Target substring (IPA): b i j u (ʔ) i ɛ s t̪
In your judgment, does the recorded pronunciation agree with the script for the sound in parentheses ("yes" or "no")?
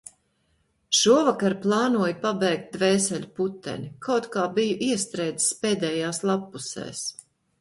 yes